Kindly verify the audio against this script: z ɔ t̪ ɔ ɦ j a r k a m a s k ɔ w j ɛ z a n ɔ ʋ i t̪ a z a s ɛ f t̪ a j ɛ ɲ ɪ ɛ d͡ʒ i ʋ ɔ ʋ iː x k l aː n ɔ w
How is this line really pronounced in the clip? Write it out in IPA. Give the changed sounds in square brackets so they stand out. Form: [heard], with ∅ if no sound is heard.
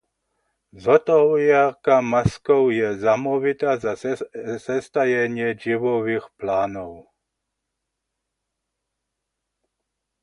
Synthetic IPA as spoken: z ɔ t̪ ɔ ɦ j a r k a m a s k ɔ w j ɛ z a [m] ɔ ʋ i t̪ a z a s ɛ [s] t̪ a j ɛ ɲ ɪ ɛ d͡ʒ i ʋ ɔ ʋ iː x [p] l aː n ɔ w